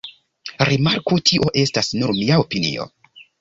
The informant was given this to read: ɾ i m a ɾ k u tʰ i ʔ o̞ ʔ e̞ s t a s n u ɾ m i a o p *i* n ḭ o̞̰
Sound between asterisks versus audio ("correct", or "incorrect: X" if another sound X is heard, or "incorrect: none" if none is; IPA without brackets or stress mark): correct